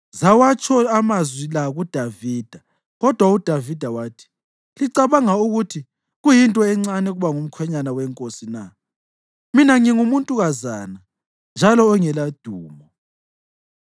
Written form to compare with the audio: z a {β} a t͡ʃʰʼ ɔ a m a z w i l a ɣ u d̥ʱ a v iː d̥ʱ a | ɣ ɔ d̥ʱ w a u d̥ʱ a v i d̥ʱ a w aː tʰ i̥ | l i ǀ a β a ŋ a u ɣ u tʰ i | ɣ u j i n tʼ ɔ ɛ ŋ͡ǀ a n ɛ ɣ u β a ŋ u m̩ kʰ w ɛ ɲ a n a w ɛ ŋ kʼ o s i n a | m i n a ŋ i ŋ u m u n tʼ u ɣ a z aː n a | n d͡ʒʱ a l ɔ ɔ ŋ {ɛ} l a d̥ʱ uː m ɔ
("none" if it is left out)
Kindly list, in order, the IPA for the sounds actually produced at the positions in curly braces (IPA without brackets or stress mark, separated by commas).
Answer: w, ɛ